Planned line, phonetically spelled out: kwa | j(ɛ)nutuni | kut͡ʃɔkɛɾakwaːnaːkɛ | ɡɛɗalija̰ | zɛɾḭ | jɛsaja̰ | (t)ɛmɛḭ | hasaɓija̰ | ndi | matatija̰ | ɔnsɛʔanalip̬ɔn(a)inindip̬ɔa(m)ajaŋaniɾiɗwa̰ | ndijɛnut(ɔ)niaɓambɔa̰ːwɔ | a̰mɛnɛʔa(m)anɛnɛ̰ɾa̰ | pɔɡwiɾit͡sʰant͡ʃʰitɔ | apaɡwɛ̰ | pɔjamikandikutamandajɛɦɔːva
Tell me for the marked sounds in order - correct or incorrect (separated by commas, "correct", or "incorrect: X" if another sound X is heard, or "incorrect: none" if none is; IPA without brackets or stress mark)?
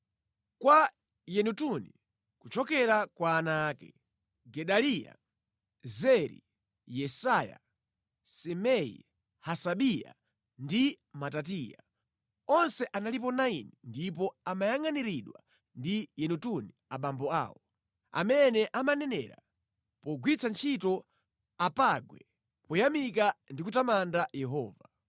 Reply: correct, incorrect: s, correct, correct, incorrect: u, correct